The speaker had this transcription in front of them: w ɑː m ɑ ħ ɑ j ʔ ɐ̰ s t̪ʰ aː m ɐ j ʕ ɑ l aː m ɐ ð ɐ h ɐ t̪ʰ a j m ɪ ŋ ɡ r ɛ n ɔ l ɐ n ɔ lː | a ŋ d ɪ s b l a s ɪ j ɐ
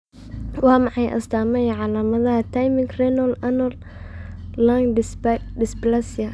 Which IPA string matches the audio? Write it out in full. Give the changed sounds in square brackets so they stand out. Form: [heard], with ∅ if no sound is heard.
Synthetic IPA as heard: w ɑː m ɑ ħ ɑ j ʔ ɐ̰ s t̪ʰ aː m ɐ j ʕ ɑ l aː m ɐ ð ɐ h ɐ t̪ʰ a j m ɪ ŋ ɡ r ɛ n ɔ l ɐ n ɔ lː | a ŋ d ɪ s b l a s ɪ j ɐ